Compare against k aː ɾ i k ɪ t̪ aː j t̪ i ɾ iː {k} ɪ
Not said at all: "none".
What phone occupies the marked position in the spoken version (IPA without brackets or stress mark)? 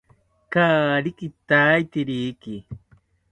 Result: k